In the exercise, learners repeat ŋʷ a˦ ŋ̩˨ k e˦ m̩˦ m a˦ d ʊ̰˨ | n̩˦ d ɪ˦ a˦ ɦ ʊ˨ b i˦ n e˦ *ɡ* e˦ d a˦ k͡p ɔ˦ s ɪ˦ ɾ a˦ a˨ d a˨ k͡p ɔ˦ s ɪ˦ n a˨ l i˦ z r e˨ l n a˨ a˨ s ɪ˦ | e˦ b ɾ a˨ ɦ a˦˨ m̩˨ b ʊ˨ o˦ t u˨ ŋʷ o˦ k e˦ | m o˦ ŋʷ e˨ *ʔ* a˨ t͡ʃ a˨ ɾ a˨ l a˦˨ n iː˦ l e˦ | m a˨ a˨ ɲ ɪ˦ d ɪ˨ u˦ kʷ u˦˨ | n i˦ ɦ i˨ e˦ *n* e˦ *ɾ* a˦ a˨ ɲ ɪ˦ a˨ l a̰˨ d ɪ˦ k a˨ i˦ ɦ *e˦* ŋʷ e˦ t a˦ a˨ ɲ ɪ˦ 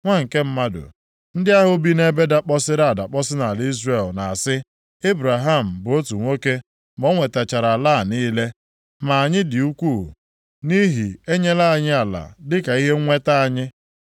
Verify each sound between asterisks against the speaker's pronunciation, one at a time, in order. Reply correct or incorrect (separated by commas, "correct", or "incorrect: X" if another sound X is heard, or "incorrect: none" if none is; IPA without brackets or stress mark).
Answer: incorrect: b, incorrect: t, incorrect: ɲ, incorrect: l, correct